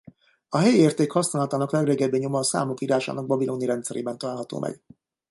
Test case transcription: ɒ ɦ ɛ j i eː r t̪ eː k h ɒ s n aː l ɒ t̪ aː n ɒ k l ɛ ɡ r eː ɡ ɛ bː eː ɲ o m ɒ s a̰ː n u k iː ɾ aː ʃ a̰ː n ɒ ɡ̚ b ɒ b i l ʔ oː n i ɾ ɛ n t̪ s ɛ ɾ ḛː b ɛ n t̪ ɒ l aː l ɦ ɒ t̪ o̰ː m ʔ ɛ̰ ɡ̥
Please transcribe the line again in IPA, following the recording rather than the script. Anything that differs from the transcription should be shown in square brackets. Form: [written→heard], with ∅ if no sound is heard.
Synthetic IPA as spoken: ɒ ɦ ɛ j i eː r t̪ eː k h ɒ s n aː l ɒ t̪ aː n ɒ k l ɛ ɡ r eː ɡ ɛ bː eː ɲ o m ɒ s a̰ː [n→m] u k iː ɾ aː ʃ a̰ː n ɒ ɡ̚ b ɒ b i l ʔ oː n i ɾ ɛ n t̪ s ɛ ɾ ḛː b ɛ n t̪ ɒ l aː l ɦ ɒ t̪ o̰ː m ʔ ɛ̰ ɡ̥